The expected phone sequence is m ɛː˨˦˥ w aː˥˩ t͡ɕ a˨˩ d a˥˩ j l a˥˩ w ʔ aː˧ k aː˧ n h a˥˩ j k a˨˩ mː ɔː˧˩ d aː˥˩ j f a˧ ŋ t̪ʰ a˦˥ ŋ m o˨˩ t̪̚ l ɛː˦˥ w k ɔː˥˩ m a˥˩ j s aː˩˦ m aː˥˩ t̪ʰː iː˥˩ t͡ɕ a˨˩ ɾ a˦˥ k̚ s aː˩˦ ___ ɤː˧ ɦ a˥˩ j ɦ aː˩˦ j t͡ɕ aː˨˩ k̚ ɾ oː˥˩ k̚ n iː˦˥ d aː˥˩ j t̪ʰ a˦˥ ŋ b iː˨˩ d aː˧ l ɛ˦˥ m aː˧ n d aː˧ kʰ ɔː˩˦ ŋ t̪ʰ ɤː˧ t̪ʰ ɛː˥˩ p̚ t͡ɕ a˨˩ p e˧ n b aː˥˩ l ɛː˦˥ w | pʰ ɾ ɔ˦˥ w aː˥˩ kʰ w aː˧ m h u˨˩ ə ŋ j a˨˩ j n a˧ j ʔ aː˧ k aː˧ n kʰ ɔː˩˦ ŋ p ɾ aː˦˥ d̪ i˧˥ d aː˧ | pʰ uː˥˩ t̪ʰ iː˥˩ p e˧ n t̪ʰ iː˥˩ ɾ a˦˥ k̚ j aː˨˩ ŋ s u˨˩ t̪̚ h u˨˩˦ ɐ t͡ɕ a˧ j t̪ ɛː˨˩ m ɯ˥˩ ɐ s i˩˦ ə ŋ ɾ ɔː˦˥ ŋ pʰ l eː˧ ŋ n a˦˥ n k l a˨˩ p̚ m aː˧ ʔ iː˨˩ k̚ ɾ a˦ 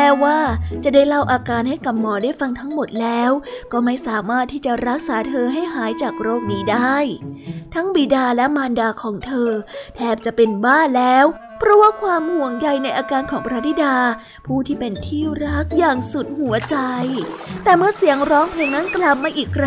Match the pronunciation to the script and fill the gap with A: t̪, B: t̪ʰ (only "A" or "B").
B